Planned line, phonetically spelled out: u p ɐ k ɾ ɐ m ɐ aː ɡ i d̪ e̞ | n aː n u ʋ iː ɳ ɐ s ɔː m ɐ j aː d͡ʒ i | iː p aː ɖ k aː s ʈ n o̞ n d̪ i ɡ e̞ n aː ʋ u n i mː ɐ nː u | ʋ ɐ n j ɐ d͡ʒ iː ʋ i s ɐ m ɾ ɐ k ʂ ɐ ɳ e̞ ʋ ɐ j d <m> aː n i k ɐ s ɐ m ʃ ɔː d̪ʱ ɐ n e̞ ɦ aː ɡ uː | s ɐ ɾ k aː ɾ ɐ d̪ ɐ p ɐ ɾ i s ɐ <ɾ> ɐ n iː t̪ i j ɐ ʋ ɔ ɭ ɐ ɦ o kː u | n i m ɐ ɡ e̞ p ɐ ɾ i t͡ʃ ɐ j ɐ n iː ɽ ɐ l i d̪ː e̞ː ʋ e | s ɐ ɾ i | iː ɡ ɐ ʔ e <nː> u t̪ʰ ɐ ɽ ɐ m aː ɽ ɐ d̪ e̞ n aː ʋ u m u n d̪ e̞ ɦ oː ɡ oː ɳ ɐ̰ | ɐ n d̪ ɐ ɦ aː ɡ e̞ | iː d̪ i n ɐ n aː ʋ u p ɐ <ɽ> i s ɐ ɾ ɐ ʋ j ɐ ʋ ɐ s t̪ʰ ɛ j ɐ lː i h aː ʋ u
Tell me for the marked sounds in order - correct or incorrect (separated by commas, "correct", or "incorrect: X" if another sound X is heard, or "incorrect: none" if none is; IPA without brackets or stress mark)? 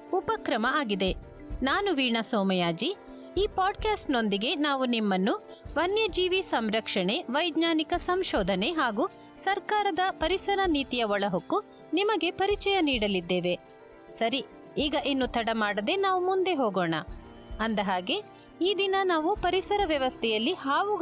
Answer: incorrect: ɲ, correct, correct, incorrect: ɾ